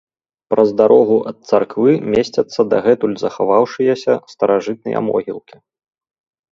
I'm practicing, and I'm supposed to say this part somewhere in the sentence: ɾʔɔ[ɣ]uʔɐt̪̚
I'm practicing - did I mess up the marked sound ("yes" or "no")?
no